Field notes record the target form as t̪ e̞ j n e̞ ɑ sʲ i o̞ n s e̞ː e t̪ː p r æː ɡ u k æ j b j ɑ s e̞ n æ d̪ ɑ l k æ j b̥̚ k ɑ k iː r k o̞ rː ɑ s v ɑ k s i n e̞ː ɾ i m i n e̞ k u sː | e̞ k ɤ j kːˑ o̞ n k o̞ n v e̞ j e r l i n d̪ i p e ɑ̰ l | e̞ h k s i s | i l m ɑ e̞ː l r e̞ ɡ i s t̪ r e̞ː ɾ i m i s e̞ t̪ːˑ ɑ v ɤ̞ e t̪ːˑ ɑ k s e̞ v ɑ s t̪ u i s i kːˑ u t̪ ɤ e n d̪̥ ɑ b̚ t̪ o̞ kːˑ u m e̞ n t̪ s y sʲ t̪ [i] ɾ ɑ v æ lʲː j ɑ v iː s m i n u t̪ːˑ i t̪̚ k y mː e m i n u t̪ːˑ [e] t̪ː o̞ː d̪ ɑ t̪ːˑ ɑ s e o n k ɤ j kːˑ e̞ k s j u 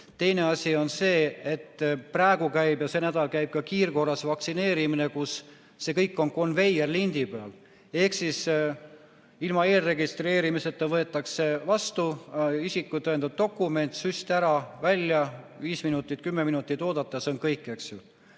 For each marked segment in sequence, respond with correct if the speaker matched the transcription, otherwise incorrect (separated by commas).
incorrect, incorrect